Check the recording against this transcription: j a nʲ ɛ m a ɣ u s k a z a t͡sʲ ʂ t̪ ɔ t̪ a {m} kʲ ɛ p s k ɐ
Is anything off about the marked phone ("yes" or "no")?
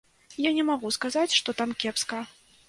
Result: no